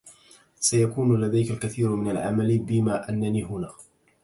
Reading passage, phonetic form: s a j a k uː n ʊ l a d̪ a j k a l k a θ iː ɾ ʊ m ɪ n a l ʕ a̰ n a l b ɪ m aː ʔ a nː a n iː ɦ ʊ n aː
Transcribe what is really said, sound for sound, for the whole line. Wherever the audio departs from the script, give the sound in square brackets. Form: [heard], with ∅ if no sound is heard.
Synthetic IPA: s a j a k uː n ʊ l a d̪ a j k a l k a θ iː ɾ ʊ m ɪ n a l ʕ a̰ [m] a l b ɪ m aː ʔ a nː a n iː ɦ ʊ n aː